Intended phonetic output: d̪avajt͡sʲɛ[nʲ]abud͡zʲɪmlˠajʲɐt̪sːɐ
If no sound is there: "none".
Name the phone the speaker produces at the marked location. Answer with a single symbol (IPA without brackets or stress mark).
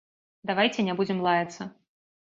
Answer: nʲ